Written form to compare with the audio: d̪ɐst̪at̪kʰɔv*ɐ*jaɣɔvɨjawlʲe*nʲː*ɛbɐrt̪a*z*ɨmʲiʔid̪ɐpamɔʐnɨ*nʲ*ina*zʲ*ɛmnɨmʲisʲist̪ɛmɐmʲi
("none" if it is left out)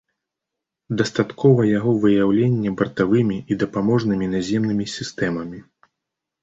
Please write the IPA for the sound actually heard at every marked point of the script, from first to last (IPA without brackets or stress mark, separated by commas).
ɐ, nʲː, v, mʲ, zʲ